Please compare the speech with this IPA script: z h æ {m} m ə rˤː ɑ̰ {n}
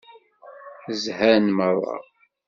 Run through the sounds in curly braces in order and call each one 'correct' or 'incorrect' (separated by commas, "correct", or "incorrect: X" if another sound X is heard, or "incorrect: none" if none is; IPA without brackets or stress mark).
incorrect: n, incorrect: none